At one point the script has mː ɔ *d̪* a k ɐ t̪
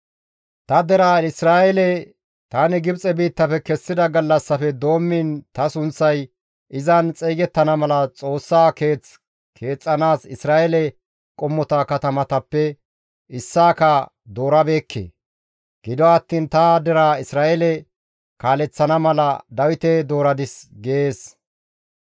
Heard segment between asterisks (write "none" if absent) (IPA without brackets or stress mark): t̪